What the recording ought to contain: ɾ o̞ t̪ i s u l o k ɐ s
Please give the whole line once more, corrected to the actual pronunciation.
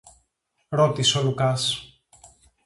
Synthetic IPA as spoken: ɾ o̞ t̪ i s o l u k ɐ s